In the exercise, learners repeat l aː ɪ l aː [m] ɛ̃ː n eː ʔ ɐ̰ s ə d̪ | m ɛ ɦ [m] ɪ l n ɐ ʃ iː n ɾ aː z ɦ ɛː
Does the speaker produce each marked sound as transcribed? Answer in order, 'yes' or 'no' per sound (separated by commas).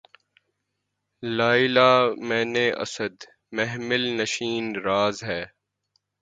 yes, yes